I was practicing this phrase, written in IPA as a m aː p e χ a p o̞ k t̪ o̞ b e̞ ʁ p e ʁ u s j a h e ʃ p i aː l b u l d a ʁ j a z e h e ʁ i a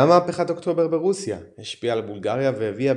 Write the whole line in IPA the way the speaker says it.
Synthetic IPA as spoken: a m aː p e χ a t o̞ k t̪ o̞ b e̞ ʁ b e ʁ u s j a h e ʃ p i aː l b u l ɡ a ʁ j a v e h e v i a